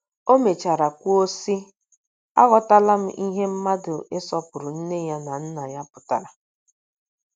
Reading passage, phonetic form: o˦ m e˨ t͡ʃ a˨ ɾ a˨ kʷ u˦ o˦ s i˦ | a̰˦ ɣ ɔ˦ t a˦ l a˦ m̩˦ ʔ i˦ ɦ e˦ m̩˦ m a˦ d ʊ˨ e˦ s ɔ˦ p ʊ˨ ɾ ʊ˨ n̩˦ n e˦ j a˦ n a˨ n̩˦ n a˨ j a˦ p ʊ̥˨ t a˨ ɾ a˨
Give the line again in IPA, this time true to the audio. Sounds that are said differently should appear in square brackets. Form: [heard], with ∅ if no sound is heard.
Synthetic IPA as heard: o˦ m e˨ t͡ʃ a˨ ɾ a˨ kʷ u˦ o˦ s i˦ | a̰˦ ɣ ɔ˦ t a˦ l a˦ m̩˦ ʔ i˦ ɦ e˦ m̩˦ m a˦ d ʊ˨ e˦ s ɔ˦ p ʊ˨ ɾ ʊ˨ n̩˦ n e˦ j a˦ n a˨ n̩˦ n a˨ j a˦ p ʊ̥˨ t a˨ ɾ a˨